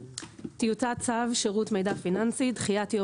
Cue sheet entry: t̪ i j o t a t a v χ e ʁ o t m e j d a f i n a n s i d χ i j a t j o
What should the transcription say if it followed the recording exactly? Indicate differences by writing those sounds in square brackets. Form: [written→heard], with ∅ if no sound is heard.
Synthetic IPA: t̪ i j [o→u] t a [t→t͡s] a v [χ→ʃ] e ʁ [o→u] t m e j d a f i n a n s i d χ i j a t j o